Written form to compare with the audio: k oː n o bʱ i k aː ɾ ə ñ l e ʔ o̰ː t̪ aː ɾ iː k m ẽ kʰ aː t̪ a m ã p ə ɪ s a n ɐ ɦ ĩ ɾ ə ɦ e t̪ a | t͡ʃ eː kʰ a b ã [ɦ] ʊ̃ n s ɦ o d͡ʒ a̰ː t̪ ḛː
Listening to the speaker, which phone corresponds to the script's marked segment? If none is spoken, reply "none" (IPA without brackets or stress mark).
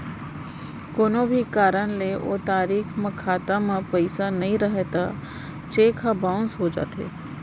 none